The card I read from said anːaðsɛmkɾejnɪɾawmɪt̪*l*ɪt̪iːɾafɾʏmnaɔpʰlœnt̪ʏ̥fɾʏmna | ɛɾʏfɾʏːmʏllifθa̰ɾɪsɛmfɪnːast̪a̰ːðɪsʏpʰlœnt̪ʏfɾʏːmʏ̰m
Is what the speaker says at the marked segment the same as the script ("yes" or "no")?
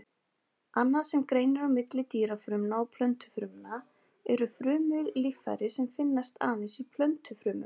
yes